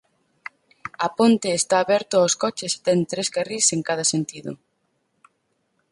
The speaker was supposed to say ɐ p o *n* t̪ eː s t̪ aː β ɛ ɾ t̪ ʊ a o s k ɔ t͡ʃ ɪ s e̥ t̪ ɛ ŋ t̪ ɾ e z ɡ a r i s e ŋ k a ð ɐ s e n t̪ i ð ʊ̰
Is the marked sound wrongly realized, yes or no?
no